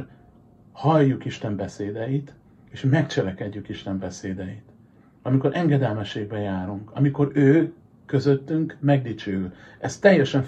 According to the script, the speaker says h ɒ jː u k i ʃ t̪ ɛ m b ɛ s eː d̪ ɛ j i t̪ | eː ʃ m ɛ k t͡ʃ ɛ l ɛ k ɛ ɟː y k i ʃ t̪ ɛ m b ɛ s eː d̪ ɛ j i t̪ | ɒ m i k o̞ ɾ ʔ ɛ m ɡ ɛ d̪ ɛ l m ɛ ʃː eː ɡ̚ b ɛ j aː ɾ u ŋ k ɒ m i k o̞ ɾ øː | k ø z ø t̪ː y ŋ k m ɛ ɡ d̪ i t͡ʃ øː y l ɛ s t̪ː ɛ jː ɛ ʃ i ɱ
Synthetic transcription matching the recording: h ɒ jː u k i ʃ t̪ ɛ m b ɛ s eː d̪ ɛ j i t̪ | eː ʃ m ɛ k t͡ʃ ɛ l ɛ k ɛ ɟː y k i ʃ t̪ ɛ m b ɛ s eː d̪ ɛ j i t̪ | ɒ m i k o̞ ɾ ʔ ɛ ŋ ɡ ɛ d̪ ɛ l m ɛ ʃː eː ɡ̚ b ɛ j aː ɾ u ŋ k ɒ m i k o̞ ɾ øː | k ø z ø t̪ː y ŋ k m ɛ ɡ d̪ i t͡ʃ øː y l ɛ s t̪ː ɛ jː ɛ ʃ ɛ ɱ